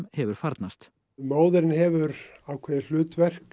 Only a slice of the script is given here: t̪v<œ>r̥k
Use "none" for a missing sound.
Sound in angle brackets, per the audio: ɛ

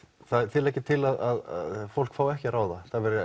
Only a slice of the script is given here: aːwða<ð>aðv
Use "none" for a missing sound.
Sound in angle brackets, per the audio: θ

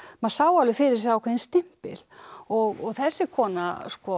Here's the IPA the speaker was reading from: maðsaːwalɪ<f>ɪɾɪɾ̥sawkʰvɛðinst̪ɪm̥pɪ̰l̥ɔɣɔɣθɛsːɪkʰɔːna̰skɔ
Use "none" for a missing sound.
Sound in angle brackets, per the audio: f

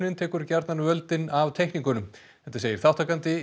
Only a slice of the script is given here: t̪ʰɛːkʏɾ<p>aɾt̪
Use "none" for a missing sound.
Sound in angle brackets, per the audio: c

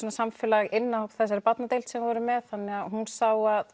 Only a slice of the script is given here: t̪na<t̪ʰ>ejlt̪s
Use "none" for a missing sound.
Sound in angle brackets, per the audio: t̪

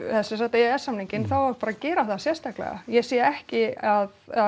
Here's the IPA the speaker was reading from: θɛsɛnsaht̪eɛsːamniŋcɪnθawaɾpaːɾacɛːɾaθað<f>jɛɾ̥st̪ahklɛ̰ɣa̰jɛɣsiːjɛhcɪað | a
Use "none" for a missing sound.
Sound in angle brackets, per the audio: s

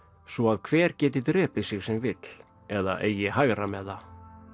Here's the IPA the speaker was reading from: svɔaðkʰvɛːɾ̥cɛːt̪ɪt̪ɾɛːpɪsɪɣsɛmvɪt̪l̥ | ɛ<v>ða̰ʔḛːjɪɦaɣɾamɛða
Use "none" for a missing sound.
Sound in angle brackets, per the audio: none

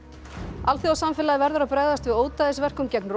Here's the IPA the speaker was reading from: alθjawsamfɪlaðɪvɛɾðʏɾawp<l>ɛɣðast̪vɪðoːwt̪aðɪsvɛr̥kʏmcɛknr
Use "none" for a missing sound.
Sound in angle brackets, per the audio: ɾ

